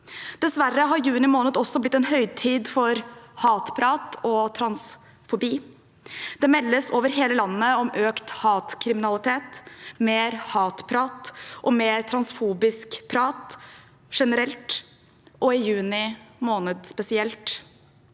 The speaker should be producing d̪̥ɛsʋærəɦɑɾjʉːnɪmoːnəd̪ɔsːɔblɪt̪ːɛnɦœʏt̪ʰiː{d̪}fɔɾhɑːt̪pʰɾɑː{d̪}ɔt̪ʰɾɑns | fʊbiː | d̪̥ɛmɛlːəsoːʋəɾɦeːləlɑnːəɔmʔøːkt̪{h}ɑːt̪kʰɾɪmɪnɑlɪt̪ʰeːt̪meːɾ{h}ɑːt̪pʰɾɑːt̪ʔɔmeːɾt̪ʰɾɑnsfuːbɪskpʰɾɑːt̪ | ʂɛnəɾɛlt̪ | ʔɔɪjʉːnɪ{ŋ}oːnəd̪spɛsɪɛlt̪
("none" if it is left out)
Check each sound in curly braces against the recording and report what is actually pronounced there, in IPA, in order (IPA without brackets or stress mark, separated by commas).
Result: d̪, t̪, h, h, m